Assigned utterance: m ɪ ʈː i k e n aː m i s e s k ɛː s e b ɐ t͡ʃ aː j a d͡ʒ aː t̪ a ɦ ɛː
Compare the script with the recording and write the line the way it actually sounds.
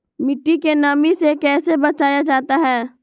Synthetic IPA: m ɪ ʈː i k e n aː m i s e k ɛː s e b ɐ t͡ʃ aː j a d͡ʒ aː t̪ a ɦ ɛː